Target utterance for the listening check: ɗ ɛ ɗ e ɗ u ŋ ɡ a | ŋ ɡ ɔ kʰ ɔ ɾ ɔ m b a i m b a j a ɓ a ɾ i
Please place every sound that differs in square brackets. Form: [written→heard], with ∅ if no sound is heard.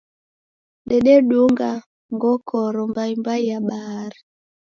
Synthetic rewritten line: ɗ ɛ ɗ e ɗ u ŋ ɡ a | ŋ ɡ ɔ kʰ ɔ ɾ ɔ m b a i m b a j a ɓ a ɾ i